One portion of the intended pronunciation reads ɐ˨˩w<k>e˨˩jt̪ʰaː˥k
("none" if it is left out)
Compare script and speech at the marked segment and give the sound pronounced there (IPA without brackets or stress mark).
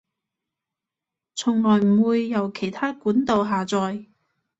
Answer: kʰ